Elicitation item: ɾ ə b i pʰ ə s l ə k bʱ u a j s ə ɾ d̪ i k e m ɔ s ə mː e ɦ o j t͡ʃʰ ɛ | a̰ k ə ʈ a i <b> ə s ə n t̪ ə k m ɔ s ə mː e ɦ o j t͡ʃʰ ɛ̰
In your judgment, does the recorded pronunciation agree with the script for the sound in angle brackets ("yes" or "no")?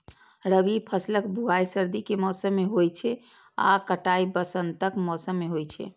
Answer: yes